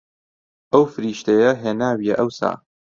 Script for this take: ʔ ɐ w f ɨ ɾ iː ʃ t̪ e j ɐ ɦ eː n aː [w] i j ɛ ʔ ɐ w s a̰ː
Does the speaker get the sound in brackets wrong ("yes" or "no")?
no